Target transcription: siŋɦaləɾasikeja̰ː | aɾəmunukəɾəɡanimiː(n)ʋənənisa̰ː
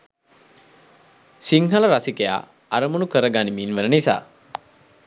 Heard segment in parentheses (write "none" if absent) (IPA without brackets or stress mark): n